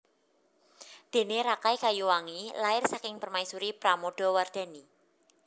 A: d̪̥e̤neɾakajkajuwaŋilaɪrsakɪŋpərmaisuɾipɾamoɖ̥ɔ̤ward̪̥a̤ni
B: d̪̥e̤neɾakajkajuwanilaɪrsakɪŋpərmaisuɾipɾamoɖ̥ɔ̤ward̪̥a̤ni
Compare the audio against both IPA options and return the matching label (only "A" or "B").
A